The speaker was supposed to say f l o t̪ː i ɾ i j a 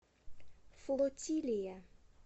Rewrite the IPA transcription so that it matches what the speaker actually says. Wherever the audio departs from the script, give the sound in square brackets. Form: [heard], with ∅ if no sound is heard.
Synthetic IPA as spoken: f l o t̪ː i [l] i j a